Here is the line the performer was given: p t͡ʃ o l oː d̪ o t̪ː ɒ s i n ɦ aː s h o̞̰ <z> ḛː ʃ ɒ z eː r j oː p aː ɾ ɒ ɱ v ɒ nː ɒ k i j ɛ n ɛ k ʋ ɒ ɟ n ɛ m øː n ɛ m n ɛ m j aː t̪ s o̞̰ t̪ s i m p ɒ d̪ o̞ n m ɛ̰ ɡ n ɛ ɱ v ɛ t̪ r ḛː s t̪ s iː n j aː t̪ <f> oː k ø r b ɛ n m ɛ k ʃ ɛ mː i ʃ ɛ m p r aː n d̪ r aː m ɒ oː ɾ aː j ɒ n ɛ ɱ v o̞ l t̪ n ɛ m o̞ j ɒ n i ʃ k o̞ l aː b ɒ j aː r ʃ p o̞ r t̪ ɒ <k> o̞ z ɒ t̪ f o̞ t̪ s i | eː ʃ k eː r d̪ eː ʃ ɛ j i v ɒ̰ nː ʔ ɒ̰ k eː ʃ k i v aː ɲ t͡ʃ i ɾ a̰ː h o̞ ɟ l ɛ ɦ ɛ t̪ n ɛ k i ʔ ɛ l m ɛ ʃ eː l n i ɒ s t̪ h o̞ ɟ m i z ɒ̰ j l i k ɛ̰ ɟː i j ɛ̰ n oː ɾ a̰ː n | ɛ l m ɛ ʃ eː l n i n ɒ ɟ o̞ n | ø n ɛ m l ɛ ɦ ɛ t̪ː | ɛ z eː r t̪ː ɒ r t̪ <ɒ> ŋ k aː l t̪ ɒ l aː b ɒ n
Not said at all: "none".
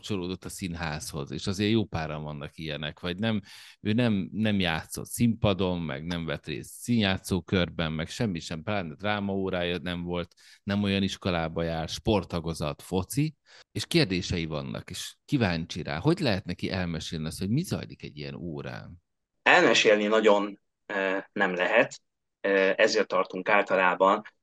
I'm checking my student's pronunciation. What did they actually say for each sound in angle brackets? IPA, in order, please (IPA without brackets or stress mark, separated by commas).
z, s, ɡ, u